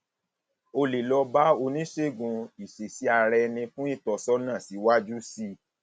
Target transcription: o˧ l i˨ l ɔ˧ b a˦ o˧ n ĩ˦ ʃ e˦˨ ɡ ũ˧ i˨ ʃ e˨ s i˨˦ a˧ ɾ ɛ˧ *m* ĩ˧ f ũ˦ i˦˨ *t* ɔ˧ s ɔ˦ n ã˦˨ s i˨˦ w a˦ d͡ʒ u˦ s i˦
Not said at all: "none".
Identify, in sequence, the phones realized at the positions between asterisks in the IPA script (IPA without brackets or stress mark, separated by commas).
n, t